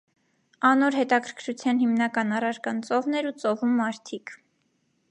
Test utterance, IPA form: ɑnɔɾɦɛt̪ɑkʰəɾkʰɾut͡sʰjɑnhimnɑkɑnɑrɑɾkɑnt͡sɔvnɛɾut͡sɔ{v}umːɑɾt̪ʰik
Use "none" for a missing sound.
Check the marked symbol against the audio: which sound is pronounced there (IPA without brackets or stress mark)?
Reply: v